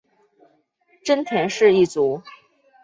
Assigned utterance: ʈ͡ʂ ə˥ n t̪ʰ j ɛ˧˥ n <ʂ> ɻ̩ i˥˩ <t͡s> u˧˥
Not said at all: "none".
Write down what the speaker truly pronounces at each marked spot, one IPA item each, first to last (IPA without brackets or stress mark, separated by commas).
ʂ, t͡s